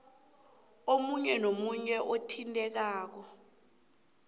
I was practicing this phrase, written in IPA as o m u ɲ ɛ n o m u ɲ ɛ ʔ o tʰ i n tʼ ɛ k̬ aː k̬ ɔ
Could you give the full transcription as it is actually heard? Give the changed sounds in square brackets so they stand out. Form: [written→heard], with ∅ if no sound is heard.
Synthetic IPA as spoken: o m u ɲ ɛ n o m u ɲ ɛ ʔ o tʰ i n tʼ ɛ k̬ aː k̬ ɔ